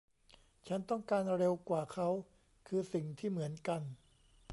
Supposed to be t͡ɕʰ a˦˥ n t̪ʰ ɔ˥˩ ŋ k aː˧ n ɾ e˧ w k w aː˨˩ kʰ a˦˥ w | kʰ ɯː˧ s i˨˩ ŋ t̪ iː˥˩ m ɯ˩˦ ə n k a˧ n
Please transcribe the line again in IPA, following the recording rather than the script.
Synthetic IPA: t͡ɕʰ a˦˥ n t̪ ɔ˥˩ ŋ k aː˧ n ɾ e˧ w k w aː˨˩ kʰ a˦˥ w | kʰ ɯː˧ s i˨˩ ŋ t̪ʰ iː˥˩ m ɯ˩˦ ə n k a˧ n